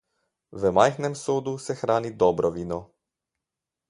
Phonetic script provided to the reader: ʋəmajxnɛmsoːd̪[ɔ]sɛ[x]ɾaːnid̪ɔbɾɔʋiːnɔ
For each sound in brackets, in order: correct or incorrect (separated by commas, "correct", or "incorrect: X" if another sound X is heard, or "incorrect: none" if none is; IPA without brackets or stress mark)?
incorrect: u, correct